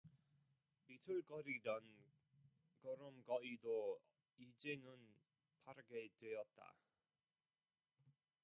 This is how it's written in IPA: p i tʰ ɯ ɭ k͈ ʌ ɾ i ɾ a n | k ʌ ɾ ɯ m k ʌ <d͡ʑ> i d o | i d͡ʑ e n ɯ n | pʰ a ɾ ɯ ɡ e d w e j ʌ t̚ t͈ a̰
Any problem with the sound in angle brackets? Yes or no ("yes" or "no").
yes